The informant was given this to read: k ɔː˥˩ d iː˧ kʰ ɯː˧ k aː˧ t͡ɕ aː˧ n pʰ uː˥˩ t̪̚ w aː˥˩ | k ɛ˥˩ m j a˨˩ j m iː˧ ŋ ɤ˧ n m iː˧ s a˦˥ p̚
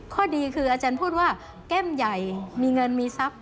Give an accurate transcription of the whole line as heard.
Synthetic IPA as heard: kʰ ɔː˥˩ d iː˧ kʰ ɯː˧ ʔ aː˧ t͡ɕ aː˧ n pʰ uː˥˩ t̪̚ w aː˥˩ | k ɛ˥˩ m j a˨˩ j m iː˧ ŋ ɤ˧ n m iː˧ s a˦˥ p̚